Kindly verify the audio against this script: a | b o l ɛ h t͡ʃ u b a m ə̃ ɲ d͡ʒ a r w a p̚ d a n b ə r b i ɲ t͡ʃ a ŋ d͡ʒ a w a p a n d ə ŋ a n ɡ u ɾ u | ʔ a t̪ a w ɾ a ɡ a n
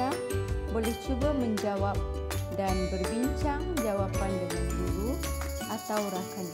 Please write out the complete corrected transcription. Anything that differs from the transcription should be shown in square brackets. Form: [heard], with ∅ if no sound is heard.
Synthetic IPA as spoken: a | b o l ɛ h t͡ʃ u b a m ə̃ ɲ d͡ʒ a [∅] w a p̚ d a n b ə r b i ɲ t͡ʃ a ŋ d͡ʒ a w a p a n d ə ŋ a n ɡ u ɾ u | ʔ a t̪ a w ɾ a [k] a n